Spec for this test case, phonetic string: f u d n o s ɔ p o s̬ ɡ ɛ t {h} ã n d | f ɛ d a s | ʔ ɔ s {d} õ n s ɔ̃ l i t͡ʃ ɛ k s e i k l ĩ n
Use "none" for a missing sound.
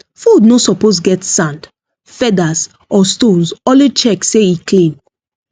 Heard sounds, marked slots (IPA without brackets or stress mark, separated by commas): s, t